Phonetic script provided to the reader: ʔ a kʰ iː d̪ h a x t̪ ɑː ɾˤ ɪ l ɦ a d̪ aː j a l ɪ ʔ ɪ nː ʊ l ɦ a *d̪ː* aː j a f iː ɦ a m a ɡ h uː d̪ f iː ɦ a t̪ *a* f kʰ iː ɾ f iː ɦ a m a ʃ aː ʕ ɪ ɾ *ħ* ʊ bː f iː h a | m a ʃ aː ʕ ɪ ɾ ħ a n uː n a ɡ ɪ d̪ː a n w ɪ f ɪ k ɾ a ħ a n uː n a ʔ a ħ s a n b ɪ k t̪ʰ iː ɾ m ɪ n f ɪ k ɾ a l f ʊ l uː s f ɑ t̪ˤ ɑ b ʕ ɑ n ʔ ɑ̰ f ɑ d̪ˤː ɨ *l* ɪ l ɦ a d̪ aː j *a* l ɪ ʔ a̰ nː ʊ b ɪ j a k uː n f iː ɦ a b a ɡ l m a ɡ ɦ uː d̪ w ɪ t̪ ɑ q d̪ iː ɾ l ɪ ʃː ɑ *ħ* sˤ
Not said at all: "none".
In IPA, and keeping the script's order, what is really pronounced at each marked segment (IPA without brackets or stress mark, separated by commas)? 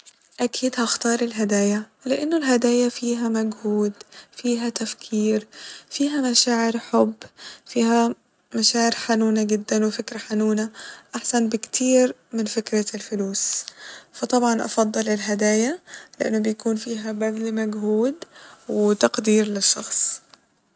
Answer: d̪, a, ħ, l, a, x